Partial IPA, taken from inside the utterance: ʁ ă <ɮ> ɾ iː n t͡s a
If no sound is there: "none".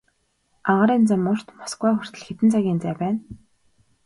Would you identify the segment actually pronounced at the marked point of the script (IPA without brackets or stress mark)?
none